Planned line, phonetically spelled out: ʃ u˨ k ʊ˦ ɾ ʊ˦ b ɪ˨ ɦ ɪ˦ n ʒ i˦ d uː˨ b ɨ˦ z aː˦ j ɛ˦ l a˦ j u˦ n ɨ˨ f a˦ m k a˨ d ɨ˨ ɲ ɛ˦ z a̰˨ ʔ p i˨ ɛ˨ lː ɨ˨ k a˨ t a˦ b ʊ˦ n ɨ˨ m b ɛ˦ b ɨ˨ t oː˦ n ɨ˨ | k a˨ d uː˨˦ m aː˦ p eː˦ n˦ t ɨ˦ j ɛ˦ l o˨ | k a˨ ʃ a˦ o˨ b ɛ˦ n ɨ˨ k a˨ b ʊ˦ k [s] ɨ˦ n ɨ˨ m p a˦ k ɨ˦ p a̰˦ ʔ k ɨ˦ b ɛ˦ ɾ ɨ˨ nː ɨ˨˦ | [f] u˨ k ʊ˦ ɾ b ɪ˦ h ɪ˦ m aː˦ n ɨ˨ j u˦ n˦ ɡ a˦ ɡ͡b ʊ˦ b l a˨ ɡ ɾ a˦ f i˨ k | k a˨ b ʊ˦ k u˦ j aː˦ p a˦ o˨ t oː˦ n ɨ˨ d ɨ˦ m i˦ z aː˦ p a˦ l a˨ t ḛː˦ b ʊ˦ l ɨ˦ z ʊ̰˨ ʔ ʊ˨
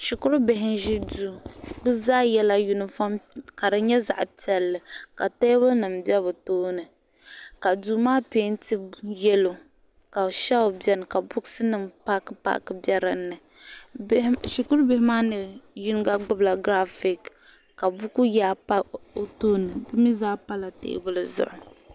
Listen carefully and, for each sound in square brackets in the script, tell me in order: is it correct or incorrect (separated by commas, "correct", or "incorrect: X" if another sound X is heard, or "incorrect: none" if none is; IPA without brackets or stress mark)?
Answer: correct, incorrect: ʃ